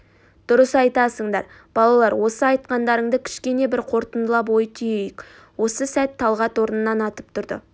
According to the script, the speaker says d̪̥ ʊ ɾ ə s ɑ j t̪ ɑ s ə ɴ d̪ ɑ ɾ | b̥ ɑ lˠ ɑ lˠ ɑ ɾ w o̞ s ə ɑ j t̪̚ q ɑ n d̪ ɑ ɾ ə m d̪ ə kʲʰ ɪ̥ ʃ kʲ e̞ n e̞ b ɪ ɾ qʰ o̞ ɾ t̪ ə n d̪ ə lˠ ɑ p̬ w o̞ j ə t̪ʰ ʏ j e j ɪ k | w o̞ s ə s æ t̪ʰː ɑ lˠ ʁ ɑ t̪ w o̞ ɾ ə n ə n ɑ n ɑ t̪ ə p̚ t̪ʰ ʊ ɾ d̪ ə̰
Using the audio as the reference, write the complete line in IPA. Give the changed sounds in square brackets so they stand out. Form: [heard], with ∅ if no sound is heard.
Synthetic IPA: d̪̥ ʊ ɾ ə s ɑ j t̪ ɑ s ə ɴ d̪ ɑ ɾ | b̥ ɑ lˠ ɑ lˠ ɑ ɾ w o̞ s ə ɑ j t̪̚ q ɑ n d̪ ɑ ɾ ə [ɴ] d̪ ə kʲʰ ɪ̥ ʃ kʲ e̞ n e̞ b ɪ ɾ qʰ o̞ ɾ t̪ ə n d̪ ə lˠ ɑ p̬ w o̞ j ə t̪ʰ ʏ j e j ɪ k | w o̞ s ə s æ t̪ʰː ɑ lˠ ʁ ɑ t̪ w o̞ ɾ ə n ə n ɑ n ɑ t̪ ə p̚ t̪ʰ ʊ ɾ d̪ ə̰